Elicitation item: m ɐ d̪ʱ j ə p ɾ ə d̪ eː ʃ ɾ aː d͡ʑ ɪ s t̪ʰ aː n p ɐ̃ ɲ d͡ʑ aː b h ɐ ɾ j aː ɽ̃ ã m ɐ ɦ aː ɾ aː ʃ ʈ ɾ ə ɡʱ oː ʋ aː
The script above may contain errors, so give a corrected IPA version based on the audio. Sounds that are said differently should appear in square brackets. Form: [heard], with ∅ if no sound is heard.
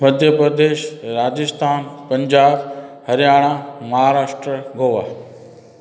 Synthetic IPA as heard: m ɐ d̪ʱ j ə p ɾ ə d̪ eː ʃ ɾ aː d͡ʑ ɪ s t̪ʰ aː n p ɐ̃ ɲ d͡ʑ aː b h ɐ ɾ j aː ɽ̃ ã m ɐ ɦ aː ɾ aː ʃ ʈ ɾ ə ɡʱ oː ʋ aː